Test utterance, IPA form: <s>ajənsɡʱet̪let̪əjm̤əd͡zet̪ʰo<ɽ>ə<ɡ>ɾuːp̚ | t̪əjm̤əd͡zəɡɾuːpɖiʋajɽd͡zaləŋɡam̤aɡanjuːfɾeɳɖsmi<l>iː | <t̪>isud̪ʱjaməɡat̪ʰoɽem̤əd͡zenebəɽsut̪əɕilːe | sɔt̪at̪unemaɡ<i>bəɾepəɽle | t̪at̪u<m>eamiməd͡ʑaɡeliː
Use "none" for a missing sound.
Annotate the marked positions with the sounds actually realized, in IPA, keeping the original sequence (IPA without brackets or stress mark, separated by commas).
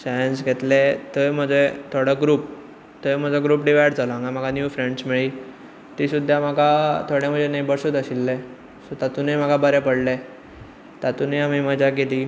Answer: s, ɽ, ɡ, ɭ, t̪, a, n